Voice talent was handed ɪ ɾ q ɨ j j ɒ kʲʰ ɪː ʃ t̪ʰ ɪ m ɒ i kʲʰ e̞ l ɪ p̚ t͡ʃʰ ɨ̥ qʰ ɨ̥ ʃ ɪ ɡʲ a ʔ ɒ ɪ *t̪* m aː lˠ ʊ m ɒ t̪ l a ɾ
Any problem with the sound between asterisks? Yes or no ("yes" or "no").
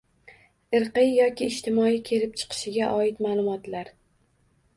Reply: no